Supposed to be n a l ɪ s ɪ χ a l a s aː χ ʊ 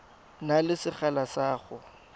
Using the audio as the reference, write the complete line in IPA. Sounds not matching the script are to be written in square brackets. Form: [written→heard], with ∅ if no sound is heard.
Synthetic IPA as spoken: n a l ɪ s ɪ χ a l a s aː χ ʊ